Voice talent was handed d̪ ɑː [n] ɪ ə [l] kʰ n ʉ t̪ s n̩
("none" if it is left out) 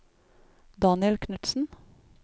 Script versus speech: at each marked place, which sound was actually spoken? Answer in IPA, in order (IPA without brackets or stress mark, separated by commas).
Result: n, l